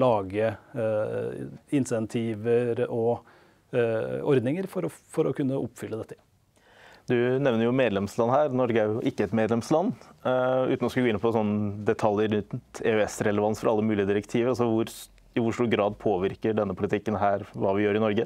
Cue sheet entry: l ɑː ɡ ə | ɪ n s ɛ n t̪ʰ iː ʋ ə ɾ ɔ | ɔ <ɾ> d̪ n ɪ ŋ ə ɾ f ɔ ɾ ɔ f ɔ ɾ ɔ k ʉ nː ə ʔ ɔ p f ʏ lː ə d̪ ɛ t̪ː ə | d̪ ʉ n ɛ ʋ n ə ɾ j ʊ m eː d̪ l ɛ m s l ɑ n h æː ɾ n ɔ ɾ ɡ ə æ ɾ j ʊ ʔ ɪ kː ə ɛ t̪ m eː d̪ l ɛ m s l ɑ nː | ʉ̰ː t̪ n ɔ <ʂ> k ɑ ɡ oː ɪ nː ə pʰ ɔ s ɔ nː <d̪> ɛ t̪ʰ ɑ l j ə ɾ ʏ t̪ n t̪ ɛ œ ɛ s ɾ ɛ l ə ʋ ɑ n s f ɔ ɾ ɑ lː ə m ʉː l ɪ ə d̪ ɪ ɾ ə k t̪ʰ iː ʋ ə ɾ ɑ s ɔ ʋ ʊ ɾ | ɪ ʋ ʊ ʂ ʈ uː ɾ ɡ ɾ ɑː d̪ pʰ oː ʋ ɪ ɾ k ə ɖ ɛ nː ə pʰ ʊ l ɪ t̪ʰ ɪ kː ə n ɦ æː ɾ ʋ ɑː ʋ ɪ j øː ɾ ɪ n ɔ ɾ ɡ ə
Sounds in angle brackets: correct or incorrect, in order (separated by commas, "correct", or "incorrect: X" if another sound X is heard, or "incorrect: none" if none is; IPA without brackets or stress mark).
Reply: correct, incorrect: s, correct